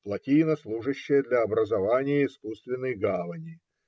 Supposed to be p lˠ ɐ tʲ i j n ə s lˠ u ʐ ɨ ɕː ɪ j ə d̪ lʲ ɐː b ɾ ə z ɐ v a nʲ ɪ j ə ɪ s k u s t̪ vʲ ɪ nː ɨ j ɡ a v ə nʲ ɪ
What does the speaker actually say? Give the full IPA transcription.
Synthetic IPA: p lˠ ɐ tʲ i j n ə s lˠ u ʐ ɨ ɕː ɪ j ə d̪ lʲ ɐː b ɾ ə z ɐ v a nʲ ɪ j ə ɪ s k u s t̪ vʲ ɪ nː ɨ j ɡ a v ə nʲ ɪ

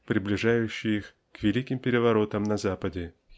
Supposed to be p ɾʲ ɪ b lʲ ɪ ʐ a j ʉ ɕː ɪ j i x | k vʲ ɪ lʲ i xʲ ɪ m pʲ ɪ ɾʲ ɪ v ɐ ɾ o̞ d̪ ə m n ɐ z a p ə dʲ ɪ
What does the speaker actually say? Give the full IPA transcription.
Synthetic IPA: p ɾʲ ɪ b lʲ ɪ ʐ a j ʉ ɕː ɪ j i x | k vʲ ɪ lʲ i kʲ ɪ m pʲ ɪ ɾʲ ɪ v ɐ ɾ o̞ t̪ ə m n ɐ z a p ə dʲ ɪ

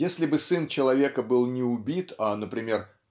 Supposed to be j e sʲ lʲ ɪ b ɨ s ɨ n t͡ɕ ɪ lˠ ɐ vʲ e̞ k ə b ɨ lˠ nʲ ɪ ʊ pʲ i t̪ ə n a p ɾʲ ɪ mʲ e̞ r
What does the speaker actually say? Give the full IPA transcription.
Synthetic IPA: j e sʲ lʲ ɪ b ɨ s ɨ n t͡ɕ ɪ lˠ ɐ vʲ e̞ k ə b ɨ lˠ nʲ ɪ ʊ bʲ i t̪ a n ə p ɾʲ ɪ mʲ e̞ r

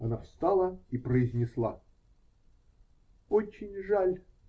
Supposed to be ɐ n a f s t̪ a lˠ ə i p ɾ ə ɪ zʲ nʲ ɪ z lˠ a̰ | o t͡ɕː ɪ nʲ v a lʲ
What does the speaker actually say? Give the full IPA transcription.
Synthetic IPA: ɐ n a f s t̪ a lˠ ə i p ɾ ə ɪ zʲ nʲ ɪ s lˠ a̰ | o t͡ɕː ɪ nʲ ʐ a lʲ

